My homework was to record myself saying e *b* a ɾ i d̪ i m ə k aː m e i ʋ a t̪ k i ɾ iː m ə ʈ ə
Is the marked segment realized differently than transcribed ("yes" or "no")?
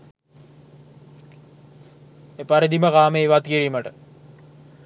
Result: yes